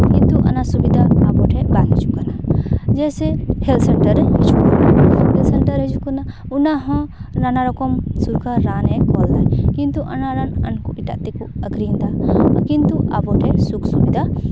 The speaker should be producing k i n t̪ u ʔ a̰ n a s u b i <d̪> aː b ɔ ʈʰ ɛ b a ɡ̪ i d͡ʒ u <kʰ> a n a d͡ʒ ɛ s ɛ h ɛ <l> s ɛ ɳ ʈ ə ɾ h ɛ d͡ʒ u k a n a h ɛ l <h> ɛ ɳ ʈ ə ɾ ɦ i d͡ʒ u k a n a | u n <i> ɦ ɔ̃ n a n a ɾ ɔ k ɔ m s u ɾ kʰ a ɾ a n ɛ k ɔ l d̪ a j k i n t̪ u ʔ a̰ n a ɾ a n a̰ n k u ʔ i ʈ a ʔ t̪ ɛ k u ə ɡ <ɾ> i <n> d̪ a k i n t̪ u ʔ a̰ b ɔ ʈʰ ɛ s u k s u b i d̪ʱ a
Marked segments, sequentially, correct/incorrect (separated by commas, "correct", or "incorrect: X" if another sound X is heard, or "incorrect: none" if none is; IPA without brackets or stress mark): correct, incorrect: k, correct, incorrect: s, incorrect: a, correct, correct